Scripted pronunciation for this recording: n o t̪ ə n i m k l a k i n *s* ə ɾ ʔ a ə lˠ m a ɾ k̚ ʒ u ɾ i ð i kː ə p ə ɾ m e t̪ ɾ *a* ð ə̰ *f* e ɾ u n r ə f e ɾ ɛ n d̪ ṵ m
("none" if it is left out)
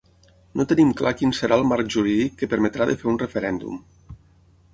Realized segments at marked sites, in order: s, a, f

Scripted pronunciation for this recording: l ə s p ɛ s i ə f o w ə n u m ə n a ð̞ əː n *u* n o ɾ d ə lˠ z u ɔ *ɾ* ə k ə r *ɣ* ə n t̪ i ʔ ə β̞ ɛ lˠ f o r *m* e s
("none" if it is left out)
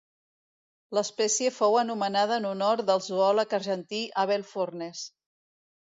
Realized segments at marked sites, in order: u, l, ʒ, n

